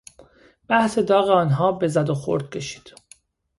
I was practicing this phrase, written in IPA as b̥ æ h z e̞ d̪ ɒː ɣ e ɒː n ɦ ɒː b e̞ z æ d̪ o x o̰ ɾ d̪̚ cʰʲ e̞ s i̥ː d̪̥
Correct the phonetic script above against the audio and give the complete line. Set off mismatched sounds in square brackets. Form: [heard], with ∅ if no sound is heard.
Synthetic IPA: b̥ æ h [s] e̞ d̪ ɒː ɣ e ɒː n ɦ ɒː b e̞ z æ d̪ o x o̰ ɾ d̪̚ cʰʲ e̞ [ʃ] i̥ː d̪̥